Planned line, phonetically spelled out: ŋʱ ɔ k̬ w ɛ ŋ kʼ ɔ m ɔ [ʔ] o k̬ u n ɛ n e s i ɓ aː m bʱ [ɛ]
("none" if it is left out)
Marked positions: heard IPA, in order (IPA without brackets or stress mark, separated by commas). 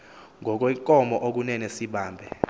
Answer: ʔ, ɛ